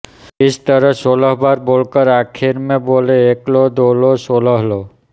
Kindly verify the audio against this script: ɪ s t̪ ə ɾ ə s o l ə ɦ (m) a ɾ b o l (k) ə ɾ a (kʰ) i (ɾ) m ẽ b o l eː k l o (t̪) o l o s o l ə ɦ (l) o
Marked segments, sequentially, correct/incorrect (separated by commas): incorrect, correct, correct, correct, incorrect, correct